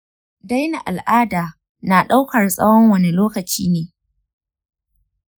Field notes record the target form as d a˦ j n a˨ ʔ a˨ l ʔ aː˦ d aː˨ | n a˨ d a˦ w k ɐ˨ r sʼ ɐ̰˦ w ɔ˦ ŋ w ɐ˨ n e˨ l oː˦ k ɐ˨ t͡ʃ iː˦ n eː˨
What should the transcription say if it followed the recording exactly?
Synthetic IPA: d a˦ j n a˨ ʔ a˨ l ʔ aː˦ d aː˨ | n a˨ ɗ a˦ w k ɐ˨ r sʼ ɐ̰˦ w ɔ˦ ŋ w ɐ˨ n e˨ l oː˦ k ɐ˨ t͡ʃ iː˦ n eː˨